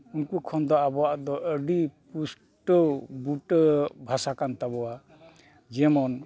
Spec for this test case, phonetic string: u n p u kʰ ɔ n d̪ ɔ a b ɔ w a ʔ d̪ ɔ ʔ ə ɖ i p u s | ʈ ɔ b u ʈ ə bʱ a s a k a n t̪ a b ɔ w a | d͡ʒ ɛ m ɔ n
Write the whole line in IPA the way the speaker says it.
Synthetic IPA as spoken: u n k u kʰ ɔ n d̪ ɔ a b ɔ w a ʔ d̪ ɔ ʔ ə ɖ i p u s | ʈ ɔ b u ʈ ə bʱ a s a k a n t̪ a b ɔ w a | d͡ʒ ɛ m ɔ n

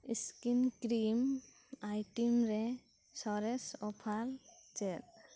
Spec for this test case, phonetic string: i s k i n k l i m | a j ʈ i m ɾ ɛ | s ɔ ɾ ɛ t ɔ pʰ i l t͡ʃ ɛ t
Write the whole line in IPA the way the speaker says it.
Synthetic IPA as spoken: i s k i n k ɾ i m | a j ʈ i m ɾ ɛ | s ɔ ɾ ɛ s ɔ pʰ a l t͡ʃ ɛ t

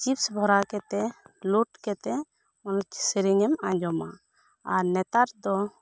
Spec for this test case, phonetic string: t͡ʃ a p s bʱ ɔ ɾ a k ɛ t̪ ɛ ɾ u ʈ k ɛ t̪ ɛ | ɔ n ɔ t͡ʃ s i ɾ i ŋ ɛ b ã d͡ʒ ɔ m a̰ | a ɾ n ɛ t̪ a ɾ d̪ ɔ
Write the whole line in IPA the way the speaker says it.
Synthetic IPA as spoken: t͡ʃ i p s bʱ ɔ ɾ a k ɛ t̪ ɛ l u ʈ k ɛ t̪ ɛ | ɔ n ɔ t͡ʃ s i ɾ i ŋ ɛ m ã d͡ʒ ɔ m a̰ | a ɾ n ɛ t̪ a ɾ d̪ ɔ

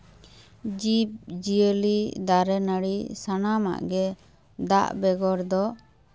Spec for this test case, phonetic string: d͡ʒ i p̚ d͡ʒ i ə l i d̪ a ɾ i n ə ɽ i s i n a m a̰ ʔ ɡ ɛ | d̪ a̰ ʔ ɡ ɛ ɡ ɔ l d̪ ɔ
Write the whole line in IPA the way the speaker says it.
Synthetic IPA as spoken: d͡ʒ i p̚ d͡ʒ i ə l i d̪ a ɾ ɛ n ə ɽ i s a n a m a̰ ʔ ɡ ɛ | d̪ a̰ ʔ b ɛ ɡ ɔ ɾ d̪ ɔ

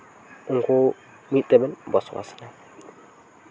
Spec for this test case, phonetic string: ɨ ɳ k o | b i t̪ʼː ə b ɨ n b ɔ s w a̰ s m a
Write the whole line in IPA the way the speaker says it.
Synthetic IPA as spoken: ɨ ŋ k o | m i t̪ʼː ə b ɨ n b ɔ s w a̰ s n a

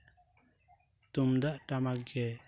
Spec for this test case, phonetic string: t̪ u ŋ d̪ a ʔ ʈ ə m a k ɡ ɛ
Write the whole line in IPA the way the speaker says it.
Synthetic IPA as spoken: t̪ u m d̪ a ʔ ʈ a m a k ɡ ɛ

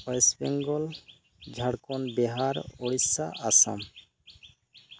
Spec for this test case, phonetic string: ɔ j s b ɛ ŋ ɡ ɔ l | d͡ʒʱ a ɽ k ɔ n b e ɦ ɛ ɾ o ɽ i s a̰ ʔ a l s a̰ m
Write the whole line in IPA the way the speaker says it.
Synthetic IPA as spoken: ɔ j s b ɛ ŋ ɡ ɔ l | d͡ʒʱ a ɽ k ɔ n b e ɦ a ɾ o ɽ i s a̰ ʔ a s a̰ m

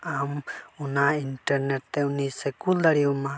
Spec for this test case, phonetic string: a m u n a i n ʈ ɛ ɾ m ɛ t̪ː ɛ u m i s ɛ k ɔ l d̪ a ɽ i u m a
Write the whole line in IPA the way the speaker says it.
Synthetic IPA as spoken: a m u n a i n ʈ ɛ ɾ n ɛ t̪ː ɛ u n i s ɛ k u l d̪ a ɾ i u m a

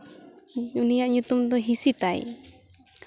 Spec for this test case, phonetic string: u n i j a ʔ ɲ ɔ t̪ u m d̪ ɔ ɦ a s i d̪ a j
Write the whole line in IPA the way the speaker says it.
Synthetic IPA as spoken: u n i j a ʔ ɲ u t̪ u m d̪ ɔ ɦ i s i t̪ a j

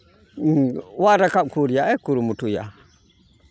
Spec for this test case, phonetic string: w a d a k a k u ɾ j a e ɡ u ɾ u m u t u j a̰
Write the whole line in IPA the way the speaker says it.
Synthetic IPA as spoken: w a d a k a k u ɾ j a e k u ɾ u m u t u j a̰

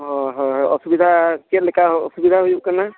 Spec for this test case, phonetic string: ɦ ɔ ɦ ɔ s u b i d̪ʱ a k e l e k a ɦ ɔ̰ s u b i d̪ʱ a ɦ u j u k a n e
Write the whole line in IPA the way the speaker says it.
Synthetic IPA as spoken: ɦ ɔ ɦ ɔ s u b i d̪ʱ a k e l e k a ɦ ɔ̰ s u b i d̪ʱ a ɦ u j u k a n a

